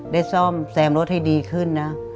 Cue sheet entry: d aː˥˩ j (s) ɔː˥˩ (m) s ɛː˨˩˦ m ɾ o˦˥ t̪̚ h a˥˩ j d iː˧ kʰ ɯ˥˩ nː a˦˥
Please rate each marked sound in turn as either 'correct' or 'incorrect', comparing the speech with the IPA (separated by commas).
correct, correct